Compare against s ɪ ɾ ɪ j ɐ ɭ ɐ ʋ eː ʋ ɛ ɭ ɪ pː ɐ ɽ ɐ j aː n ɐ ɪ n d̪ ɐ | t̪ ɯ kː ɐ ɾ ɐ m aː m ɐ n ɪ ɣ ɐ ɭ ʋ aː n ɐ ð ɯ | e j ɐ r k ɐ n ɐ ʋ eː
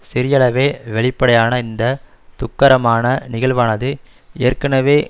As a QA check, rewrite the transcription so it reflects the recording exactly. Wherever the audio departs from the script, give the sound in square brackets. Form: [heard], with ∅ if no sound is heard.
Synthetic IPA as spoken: s ɪ ɾ ɪ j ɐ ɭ ɐ ʋ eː ʋ ɛ ɭ ɪ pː ɐ ɽ ɐ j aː n ɐ ɪ n d̪ ɐ | t̪ [ʊ] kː ɐ ɾ ɐ m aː [n] ɐ n ɪ ɣ ɐ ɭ ʋ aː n ɐ ð ɯ | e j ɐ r k ɐ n ɐ ʋ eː